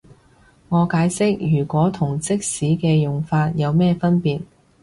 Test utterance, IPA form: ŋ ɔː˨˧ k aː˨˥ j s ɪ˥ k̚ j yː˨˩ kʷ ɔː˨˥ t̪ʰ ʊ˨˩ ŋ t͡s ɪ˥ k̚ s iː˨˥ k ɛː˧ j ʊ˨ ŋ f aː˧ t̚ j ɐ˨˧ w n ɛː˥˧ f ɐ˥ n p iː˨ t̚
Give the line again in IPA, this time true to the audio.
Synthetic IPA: ŋ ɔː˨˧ k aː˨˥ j s ɪ˥ k̚ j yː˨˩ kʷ ɔː˨˥ t̪ʰ ʊ˨˩ ŋ t͡s ɪ˥ k̚ s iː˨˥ k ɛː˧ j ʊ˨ ŋ f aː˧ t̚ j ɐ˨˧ w m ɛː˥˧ f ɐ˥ n p iː˨ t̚